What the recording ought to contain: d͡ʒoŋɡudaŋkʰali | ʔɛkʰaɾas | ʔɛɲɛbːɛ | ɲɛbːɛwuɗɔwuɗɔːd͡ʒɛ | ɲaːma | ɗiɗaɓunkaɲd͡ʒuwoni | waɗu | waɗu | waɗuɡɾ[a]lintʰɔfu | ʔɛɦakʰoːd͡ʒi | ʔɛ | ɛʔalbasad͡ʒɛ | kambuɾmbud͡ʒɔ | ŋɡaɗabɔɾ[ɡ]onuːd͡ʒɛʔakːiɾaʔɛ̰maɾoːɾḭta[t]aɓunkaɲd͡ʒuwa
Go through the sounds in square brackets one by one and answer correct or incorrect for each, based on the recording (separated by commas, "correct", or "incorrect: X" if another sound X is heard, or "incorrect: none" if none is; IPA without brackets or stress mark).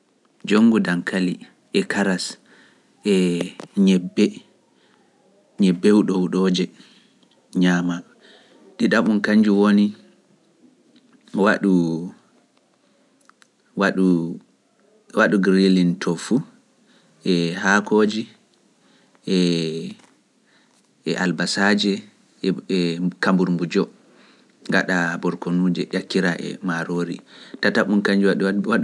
incorrect: i, incorrect: k, correct